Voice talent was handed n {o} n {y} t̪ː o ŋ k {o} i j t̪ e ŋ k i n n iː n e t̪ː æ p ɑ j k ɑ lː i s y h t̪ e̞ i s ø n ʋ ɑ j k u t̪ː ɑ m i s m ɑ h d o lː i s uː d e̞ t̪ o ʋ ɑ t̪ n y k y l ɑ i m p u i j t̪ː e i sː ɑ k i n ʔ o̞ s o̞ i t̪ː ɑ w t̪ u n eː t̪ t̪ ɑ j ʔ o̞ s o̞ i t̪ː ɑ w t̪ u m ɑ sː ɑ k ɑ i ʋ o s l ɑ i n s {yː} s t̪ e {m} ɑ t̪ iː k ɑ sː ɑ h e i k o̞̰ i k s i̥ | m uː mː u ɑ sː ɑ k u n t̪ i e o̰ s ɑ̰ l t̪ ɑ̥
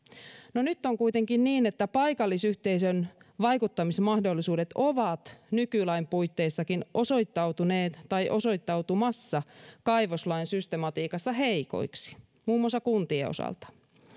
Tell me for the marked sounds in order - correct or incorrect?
correct, correct, incorrect: u, incorrect: y, correct

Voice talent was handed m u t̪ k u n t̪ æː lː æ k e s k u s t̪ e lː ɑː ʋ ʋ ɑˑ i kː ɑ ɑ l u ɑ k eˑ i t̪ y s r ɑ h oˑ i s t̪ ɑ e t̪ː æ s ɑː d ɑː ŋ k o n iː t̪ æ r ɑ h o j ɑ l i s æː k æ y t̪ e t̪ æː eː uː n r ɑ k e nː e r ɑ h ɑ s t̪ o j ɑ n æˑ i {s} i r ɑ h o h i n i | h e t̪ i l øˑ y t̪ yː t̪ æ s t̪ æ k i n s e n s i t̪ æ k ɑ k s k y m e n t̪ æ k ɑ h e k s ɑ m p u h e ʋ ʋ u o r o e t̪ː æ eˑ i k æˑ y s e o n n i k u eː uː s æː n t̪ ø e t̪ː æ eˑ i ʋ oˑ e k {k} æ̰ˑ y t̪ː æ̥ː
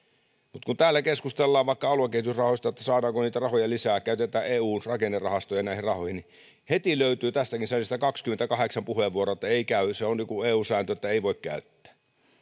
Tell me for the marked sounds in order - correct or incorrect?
incorrect: h, correct

